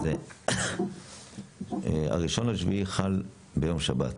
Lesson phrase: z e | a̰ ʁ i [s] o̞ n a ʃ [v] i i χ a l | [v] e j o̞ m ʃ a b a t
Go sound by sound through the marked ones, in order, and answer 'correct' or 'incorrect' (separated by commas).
incorrect, correct, incorrect